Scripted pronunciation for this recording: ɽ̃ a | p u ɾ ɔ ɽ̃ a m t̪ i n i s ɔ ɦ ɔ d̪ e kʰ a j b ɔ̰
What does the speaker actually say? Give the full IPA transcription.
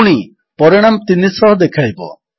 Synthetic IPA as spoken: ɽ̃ i | p ɔ ɾ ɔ ɽ̃ a m t̪ i n i s ɔ ɦ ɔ d̪ e kʰ a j b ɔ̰